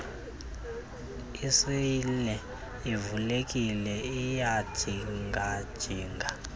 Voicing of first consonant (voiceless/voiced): voiceless